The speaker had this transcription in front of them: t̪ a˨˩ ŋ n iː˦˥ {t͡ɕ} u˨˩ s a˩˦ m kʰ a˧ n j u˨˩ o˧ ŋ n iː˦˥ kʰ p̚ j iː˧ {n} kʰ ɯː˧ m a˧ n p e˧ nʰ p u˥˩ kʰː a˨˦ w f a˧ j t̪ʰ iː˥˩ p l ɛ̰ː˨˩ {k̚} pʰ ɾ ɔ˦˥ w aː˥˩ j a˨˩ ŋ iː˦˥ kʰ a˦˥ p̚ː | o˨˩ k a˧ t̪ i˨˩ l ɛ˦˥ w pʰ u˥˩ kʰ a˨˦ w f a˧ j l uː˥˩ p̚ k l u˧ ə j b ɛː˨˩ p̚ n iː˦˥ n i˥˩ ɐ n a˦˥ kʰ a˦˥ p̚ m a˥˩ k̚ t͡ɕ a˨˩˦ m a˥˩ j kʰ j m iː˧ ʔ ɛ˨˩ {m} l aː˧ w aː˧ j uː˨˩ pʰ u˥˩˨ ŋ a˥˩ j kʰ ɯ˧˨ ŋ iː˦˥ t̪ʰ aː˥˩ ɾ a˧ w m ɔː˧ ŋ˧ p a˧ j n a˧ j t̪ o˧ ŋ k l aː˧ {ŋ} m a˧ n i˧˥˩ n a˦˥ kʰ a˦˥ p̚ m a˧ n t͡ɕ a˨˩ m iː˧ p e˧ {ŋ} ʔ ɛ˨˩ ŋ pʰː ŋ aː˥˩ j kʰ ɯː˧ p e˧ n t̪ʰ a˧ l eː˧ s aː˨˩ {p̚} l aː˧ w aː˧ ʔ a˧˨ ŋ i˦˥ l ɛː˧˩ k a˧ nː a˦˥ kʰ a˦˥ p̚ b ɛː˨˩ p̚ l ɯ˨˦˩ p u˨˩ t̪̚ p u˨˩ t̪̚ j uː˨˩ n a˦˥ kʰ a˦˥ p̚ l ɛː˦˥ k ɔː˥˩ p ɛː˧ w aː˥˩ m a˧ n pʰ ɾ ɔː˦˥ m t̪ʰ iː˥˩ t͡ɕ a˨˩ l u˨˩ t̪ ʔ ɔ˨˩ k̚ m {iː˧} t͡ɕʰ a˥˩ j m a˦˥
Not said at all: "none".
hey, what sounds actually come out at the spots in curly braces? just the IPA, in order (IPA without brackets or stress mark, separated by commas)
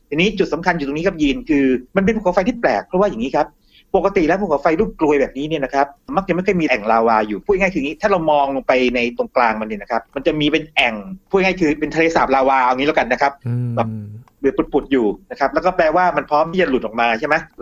t͡ɕ, n, k̚, ŋ, ŋ, n, p̚, aː˧